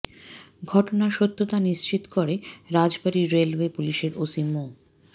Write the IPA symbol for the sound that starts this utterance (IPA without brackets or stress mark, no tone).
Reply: ɡʱ